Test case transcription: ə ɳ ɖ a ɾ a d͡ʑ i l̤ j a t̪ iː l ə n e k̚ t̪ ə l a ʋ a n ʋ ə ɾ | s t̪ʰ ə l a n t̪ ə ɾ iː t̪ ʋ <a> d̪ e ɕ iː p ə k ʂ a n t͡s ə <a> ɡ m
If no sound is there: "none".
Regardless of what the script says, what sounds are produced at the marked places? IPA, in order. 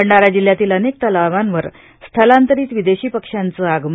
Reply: i, a

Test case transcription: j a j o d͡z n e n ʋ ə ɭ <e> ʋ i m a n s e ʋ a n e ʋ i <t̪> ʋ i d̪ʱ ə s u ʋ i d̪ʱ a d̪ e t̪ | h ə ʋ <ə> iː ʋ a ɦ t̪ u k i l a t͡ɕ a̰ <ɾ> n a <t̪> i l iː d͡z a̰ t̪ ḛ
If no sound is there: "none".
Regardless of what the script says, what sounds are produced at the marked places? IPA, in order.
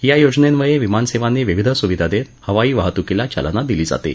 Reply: e, none, a, l, d̪

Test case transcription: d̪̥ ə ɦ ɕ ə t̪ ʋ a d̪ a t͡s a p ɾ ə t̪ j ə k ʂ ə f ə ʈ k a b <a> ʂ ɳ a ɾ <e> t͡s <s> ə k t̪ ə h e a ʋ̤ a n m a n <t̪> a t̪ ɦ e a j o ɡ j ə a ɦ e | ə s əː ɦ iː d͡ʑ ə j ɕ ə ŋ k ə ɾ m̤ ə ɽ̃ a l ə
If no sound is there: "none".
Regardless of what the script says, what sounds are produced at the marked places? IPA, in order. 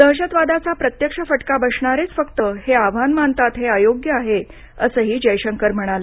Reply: ə, e, f, t̪

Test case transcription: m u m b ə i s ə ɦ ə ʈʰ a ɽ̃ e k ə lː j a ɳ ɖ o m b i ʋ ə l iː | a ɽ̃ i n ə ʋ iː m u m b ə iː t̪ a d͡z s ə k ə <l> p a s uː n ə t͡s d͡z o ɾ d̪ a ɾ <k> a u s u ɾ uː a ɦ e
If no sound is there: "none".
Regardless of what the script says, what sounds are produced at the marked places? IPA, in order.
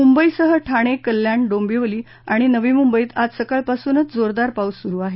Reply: ɭ, p

